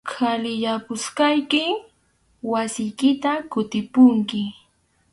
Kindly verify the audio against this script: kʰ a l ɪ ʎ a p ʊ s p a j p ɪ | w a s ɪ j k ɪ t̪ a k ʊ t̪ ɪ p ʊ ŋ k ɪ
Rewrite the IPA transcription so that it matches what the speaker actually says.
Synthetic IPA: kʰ a l ɪ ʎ a p ʊ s k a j k ɪ | w a s ɪ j k ɪ t̪ a k ʊ t̪ ɪ p ʊ ŋ k ɪ